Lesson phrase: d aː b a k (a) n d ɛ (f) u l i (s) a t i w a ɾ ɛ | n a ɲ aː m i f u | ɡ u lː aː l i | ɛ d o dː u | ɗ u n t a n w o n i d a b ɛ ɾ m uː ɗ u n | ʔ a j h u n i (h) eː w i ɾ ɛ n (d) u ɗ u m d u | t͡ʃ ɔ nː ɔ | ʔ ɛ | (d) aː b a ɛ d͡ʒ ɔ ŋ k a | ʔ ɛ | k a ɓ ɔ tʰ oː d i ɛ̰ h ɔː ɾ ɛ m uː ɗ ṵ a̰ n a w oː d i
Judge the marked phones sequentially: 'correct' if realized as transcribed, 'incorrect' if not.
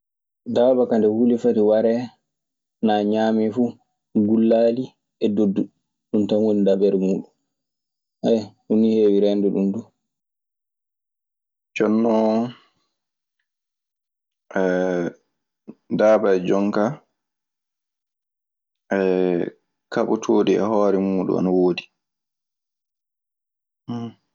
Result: correct, incorrect, incorrect, correct, correct, correct

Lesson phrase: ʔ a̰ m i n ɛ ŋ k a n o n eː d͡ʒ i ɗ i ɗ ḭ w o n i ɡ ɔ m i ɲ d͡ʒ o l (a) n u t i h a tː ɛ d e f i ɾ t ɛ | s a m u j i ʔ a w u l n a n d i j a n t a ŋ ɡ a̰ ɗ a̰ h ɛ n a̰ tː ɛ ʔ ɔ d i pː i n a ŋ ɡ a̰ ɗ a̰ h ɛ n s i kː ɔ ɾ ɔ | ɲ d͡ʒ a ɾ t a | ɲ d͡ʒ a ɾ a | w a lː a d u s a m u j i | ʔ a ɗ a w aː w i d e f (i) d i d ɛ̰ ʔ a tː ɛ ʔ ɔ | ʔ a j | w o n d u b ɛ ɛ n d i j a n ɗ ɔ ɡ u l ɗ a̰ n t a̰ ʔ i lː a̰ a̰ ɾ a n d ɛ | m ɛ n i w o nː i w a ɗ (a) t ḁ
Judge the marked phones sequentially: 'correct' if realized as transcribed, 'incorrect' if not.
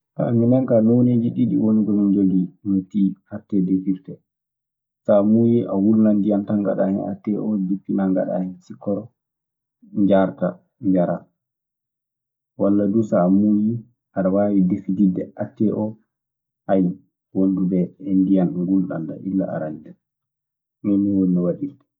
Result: incorrect, correct, incorrect

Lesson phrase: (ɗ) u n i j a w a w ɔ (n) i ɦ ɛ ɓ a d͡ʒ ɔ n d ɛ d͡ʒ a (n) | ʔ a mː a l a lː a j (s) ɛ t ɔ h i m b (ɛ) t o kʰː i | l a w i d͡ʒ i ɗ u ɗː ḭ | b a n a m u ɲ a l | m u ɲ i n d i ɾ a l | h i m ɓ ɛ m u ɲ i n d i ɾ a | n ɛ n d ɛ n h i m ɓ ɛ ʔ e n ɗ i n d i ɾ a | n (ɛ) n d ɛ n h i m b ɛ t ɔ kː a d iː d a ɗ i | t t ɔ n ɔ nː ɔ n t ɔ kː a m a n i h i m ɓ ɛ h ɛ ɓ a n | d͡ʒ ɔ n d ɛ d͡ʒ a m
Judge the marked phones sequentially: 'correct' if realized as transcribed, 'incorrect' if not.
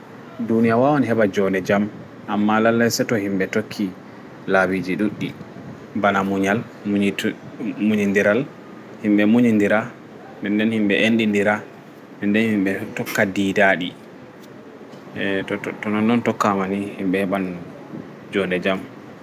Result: incorrect, correct, incorrect, correct, correct, correct

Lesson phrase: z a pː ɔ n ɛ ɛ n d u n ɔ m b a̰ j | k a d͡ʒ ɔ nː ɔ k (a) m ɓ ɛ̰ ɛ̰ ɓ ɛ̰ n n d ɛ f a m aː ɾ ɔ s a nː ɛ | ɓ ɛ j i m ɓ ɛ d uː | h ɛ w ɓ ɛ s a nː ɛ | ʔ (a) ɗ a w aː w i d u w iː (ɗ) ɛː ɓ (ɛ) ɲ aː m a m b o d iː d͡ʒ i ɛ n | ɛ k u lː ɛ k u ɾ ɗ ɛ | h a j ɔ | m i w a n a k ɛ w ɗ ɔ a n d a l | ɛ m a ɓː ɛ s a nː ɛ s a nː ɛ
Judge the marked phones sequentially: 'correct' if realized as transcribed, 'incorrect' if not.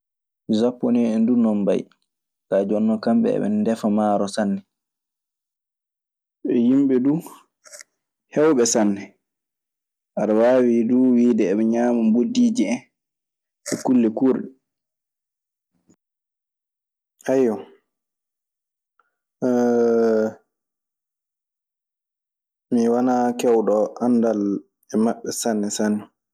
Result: correct, correct, incorrect, correct

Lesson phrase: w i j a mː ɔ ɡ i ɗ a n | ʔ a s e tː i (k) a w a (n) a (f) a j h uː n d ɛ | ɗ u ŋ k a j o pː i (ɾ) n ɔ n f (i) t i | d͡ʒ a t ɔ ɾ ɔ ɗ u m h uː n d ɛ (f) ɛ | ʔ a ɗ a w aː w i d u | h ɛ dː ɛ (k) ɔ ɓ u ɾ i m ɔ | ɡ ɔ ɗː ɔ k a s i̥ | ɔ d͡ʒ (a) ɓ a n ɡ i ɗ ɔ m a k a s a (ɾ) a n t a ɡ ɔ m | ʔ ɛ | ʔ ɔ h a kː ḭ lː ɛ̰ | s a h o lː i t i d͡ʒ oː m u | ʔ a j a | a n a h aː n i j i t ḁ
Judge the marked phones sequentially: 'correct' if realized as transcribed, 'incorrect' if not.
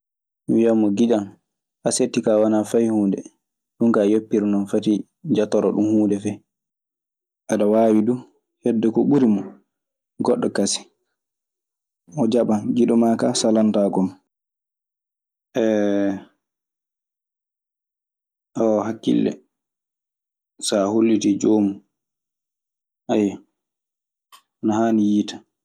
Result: correct, correct, correct, correct, incorrect, correct, correct, correct, incorrect

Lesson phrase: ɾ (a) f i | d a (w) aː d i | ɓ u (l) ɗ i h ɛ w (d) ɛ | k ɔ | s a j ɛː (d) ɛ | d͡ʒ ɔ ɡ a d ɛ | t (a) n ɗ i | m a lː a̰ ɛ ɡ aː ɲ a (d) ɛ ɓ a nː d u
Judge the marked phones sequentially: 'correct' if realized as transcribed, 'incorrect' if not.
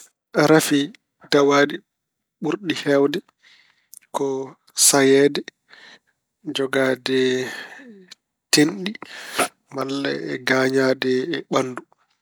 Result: correct, correct, incorrect, correct, correct, incorrect, correct

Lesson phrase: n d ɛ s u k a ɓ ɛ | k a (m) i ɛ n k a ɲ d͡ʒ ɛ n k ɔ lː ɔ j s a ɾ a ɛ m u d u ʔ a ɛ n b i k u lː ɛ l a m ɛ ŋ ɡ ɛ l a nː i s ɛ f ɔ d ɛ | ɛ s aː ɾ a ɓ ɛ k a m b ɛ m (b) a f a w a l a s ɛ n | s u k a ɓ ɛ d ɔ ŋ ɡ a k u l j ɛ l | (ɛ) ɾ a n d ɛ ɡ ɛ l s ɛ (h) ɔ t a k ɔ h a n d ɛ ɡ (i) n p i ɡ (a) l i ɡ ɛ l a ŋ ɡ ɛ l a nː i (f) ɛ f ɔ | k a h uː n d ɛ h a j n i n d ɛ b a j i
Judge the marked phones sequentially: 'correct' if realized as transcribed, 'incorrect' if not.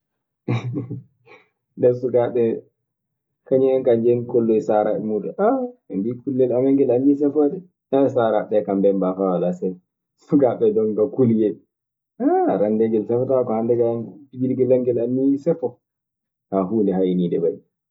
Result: incorrect, correct, incorrect, incorrect, incorrect, incorrect, incorrect

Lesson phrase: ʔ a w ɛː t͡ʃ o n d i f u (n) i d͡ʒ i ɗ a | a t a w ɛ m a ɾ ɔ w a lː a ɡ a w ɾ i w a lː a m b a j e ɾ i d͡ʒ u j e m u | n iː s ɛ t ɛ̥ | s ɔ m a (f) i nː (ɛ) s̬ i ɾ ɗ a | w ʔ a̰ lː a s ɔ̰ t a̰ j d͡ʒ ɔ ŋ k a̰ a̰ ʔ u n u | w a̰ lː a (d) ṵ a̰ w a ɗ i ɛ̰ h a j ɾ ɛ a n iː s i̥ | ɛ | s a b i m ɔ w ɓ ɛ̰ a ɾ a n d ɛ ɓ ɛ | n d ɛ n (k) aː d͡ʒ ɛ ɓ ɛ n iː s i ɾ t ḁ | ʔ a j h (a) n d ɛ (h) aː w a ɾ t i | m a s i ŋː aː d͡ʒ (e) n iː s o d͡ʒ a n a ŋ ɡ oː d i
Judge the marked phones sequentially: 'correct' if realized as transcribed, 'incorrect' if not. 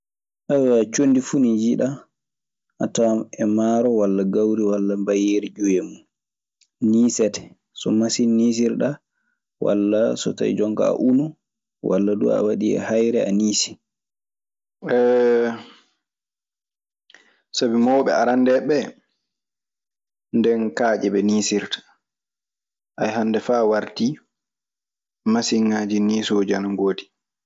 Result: correct, incorrect, incorrect, correct, correct, correct, incorrect, incorrect

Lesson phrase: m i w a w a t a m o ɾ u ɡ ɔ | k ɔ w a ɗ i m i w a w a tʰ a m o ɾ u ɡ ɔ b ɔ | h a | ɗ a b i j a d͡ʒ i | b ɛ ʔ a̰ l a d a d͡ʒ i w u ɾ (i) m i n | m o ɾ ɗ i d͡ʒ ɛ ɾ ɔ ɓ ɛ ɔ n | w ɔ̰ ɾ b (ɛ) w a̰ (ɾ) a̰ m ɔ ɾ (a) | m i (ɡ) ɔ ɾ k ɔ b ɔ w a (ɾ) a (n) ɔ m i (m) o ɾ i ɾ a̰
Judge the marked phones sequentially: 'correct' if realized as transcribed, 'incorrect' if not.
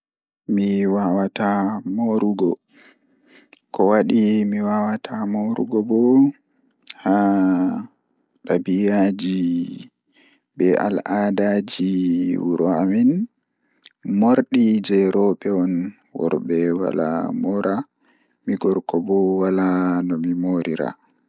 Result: incorrect, correct, incorrect, correct, correct, incorrect, correct, correct

